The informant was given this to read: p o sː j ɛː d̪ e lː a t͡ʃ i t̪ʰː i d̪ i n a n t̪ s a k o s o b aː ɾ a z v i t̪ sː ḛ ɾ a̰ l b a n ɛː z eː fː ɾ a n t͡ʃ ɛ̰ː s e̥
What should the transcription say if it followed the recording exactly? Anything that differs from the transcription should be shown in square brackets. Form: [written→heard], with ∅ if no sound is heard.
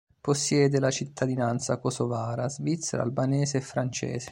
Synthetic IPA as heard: p o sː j ɛː d̪ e [lː→l] a t͡ʃ i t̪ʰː [i→a] d̪ i n a n t̪ s a k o s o [b→v] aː ɾ a z v i t̪ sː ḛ ɾ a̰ l b a n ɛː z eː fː ɾ a n t͡ʃ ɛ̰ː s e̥

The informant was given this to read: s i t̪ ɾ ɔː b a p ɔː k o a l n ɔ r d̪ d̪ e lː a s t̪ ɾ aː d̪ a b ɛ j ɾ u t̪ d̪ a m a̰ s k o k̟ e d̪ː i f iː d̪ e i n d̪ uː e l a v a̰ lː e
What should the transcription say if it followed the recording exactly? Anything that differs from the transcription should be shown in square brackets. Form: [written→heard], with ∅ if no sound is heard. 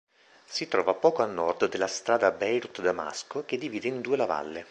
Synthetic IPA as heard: s i t̪ ɾ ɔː [b→v] a p ɔː k o a l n ɔ r d̪ d̪ e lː a s t̪ ɾ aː d̪ a b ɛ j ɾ u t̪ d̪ a m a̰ s k o k̟ e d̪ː i [f→v] iː d̪ e i n d̪ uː e l a v a̰ lː e

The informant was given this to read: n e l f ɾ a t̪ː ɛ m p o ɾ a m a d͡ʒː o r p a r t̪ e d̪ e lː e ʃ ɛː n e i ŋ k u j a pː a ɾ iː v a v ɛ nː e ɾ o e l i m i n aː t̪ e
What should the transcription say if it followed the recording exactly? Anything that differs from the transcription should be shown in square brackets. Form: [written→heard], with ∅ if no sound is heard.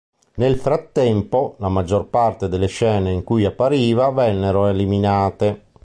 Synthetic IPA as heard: n e l f ɾ a t̪ː ɛ m p o [ɾ→l] a m a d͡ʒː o r p a r t̪ e d̪ e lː e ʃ ɛː n e i ŋ k u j a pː a ɾ iː v a v ɛ nː e ɾ o e l i m i n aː t̪ e

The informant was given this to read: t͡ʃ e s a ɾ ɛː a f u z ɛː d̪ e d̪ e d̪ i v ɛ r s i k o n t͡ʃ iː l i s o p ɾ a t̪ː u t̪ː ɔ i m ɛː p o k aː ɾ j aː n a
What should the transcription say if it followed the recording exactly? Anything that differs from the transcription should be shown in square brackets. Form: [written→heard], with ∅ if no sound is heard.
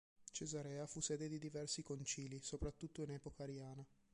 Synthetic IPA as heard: t͡ʃ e [s→z] a ɾ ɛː a f u [z→s] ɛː d̪ e d̪ [e→i] d̪ i v ɛ r s i k o n t͡ʃ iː l i s o p ɾ a t̪ː u t̪ː [ɔ→o] i [m→n] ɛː p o k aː ɾ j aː n a

